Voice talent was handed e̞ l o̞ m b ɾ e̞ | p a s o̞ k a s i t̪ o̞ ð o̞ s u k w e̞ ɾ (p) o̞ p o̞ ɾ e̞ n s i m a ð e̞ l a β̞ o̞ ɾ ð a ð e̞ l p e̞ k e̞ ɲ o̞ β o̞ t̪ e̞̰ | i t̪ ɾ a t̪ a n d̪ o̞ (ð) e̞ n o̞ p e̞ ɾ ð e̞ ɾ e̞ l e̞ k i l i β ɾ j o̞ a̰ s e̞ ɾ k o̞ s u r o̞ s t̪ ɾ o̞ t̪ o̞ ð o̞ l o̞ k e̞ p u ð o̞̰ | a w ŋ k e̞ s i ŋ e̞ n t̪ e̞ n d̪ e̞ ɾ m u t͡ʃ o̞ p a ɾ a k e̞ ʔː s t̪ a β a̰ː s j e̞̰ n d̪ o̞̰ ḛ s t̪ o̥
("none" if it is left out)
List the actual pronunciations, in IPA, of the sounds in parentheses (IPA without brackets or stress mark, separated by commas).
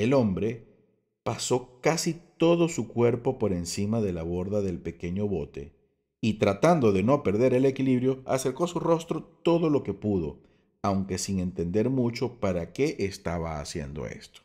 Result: p, ð